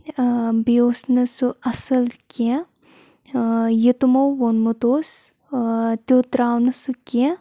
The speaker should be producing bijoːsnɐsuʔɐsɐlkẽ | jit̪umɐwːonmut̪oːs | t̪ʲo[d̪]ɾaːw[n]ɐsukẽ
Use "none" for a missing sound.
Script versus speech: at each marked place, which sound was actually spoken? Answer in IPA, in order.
t̪, n

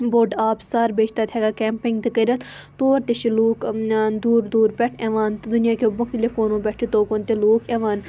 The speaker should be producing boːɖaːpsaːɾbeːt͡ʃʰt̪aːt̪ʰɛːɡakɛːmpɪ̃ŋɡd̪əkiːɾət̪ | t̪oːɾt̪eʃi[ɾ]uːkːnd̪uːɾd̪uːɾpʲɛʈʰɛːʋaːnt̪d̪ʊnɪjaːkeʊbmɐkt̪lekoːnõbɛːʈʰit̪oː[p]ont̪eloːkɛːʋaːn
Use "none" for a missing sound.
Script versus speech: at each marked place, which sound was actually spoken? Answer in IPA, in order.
l, k

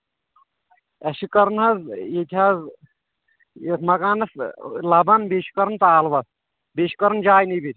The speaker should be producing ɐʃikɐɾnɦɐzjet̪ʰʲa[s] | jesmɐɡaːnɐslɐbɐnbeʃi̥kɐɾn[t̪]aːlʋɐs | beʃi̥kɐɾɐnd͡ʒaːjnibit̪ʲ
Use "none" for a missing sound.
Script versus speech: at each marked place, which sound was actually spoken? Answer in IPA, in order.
z, t̪

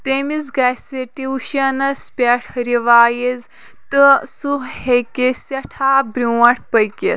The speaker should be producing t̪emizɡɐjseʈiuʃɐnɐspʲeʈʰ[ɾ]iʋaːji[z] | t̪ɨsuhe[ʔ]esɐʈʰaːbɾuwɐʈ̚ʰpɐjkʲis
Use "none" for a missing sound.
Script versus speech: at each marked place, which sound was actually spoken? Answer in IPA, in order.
ɾ, z, k

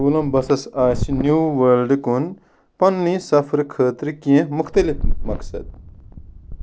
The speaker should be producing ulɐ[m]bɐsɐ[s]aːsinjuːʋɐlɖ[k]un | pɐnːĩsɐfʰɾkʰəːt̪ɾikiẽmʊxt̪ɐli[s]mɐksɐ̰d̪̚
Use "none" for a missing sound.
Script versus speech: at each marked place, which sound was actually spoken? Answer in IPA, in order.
m, s, k, f

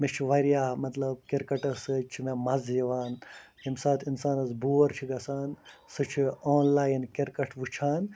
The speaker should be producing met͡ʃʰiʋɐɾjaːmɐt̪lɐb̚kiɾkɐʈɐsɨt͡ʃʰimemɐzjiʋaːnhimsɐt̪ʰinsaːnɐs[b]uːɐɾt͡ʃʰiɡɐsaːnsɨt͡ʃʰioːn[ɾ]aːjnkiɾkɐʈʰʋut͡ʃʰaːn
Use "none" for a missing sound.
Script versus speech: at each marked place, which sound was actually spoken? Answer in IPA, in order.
b, l

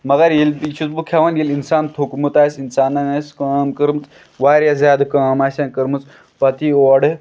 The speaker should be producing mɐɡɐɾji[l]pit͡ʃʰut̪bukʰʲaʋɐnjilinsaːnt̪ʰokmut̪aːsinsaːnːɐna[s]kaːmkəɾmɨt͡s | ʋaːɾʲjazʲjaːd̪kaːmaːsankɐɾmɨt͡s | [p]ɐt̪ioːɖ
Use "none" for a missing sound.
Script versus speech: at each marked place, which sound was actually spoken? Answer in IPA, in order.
l, s, p

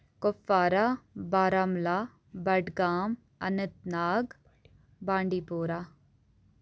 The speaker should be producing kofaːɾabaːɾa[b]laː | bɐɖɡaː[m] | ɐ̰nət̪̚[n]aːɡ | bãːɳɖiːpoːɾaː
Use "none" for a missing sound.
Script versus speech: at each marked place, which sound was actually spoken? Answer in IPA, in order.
m, m, n

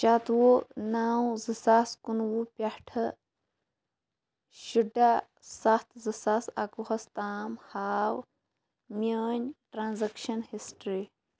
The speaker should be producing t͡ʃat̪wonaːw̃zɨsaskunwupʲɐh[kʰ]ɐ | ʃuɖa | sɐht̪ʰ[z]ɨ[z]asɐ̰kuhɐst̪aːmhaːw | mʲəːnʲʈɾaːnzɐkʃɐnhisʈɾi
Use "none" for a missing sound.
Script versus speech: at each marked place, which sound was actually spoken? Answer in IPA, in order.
ʈʰ, z, s

